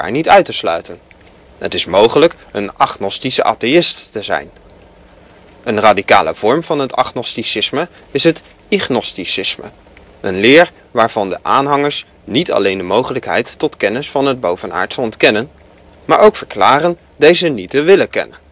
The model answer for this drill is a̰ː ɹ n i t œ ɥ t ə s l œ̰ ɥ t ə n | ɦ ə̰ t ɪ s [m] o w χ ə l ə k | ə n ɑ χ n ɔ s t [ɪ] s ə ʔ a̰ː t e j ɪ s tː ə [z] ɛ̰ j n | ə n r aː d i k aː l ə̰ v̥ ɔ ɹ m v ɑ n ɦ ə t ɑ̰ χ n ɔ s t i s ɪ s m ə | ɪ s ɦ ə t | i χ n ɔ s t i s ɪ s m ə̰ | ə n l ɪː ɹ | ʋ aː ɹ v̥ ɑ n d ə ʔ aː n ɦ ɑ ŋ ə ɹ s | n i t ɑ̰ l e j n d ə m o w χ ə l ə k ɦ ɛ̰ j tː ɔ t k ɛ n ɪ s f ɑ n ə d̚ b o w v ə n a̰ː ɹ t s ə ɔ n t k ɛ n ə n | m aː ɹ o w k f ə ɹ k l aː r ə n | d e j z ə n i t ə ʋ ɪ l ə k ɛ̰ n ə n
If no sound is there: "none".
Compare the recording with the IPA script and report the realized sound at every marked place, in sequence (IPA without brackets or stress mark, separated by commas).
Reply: m, i, z